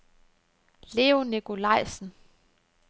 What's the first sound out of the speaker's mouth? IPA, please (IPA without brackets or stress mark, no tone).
l